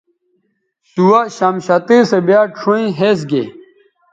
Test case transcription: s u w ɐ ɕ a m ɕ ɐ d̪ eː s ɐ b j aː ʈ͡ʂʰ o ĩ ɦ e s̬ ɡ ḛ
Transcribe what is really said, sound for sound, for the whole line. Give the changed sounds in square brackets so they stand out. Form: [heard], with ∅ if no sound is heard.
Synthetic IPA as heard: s u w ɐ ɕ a m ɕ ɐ [t̪] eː s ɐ b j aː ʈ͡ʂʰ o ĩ ɦ e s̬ ɡ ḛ